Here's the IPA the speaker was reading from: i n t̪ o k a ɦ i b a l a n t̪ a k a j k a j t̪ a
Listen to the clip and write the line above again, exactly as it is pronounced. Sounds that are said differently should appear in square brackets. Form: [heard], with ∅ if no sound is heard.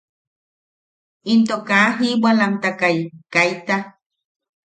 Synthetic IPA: i n t̪ o k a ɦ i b a l a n t̪ a k a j k a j t̪ a